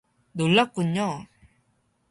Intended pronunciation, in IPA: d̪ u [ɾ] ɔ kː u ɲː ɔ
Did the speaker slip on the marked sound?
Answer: yes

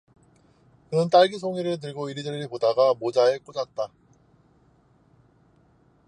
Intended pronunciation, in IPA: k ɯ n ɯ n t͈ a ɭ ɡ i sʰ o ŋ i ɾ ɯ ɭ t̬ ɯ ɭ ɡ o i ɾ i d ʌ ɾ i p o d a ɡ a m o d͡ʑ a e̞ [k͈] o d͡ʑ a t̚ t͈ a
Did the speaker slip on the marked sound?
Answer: no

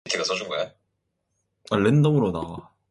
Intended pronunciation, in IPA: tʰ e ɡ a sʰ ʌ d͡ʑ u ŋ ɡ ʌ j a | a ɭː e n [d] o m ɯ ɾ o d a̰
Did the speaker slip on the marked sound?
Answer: no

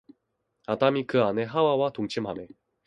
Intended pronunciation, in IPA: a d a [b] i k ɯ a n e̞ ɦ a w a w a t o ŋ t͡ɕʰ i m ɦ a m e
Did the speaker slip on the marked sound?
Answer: yes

